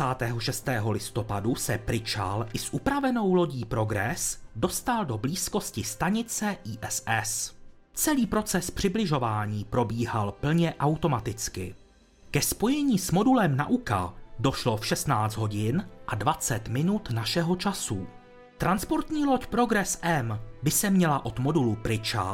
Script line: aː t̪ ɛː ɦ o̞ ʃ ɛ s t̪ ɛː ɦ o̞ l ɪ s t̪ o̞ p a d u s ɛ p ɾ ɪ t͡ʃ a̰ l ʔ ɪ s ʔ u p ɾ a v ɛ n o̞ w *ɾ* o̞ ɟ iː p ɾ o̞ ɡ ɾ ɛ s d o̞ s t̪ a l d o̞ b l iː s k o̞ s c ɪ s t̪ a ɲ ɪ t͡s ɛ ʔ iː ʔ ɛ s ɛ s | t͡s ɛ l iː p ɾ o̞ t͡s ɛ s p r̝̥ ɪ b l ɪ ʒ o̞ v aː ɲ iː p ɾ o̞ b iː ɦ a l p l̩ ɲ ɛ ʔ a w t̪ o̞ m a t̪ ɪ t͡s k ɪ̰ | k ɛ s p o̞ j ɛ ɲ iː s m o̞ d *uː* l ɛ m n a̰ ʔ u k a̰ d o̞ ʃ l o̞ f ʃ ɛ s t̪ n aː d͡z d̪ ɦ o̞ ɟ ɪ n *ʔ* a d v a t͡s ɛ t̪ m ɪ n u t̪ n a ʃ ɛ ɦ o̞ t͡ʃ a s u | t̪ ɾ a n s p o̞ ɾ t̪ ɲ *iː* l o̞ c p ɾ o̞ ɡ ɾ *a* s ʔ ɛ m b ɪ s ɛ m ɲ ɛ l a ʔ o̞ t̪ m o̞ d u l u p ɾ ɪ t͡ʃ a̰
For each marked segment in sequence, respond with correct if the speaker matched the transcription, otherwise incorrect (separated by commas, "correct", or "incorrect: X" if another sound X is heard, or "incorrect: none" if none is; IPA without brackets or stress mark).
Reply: incorrect: l, incorrect: u, correct, correct, incorrect: ɛ